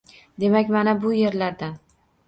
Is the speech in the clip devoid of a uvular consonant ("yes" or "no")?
yes